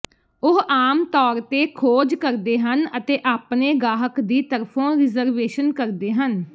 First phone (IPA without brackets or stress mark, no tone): ʊ